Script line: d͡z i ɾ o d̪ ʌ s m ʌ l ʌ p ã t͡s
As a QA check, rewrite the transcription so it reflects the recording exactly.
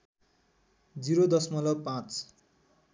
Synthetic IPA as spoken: d͡z i ɾ o d̪ ʌ s m ʌ l ʌ p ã t͡s